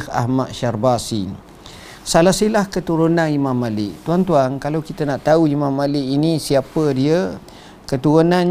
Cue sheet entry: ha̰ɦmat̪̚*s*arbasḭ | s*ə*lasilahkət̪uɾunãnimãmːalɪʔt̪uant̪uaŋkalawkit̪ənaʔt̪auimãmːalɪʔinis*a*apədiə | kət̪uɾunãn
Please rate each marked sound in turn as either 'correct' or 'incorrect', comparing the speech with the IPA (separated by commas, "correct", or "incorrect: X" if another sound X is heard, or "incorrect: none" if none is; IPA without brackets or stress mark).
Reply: incorrect: ʃ, incorrect: a, incorrect: i